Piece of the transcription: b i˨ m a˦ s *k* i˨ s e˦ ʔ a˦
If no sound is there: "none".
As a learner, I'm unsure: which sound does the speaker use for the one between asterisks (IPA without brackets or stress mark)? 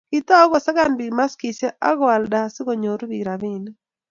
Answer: k